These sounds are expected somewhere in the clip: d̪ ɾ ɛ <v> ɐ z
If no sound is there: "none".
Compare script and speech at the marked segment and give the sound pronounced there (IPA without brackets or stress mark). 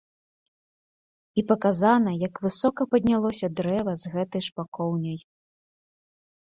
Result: v